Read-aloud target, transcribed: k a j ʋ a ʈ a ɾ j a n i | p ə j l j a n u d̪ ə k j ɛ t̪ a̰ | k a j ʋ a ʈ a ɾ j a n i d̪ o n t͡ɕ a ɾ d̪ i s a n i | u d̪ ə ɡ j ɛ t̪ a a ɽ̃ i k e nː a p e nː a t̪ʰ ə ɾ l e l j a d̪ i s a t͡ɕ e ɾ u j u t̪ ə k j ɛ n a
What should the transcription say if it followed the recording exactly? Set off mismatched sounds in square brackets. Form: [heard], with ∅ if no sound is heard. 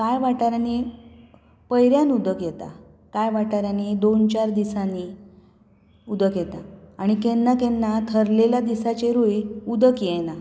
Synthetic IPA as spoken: k a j ʋ a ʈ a ɾ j a n i | p ə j [ɾ] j a n u d̪ ə k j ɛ t̪ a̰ | k a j ʋ a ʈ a ɾ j a n i d̪ o n t͡ɕ a ɾ d̪ i s a n i | u d̪ ə [k] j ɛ t̪ a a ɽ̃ i k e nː a [k] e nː a t̪ʰ ə ɾ l e l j a d̪ i s a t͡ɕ e ɾ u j u [d̪] ə k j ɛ n a